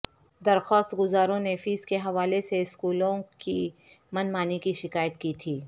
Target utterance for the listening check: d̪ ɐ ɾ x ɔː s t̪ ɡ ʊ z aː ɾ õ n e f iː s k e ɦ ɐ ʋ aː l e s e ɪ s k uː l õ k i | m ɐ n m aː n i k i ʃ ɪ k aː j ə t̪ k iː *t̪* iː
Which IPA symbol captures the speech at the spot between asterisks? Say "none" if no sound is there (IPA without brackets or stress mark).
t̪ʰ